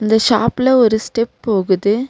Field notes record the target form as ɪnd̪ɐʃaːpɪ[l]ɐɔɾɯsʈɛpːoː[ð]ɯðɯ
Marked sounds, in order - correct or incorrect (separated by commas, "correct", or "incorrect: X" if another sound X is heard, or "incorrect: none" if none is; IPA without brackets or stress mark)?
correct, incorrect: ɣ